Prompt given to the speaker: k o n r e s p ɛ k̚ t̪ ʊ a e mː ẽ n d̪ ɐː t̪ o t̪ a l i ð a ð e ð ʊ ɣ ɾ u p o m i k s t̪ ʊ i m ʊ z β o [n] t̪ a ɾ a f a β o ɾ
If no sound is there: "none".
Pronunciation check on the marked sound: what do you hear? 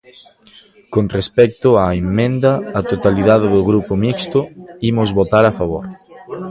none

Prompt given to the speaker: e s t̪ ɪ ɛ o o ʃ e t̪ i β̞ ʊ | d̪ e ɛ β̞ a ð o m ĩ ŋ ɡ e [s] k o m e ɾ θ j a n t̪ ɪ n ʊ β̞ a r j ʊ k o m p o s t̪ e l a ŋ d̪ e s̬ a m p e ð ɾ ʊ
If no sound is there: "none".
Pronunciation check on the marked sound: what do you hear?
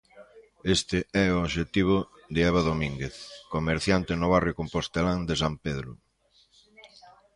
θ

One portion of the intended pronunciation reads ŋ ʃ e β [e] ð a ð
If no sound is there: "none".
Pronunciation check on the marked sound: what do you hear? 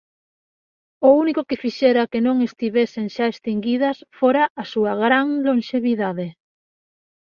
i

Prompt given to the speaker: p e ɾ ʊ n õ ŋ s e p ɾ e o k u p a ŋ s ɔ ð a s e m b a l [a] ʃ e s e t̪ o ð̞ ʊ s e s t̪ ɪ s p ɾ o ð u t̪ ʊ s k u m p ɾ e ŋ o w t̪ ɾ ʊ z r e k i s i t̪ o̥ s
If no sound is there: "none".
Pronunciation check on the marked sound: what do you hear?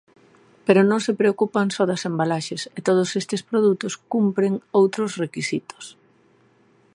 a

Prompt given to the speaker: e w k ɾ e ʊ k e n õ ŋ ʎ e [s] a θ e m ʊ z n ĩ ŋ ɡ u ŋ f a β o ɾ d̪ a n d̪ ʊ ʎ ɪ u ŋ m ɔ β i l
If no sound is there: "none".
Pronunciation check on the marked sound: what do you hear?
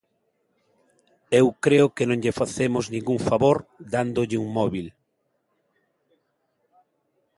f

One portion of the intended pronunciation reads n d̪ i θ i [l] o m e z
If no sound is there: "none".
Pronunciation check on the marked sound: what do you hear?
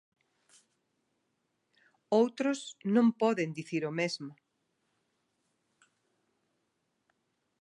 ɾ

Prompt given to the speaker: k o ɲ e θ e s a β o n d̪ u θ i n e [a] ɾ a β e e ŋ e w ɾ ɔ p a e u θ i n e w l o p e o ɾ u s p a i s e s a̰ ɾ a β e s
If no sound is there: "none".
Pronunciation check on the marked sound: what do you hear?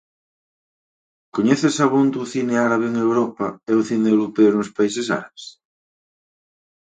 a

